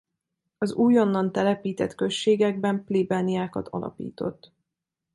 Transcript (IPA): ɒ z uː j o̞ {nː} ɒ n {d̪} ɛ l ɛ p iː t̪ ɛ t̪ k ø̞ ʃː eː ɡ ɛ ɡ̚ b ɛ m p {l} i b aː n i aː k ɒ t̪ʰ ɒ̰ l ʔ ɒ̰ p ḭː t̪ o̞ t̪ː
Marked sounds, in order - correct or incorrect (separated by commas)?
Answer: correct, incorrect, correct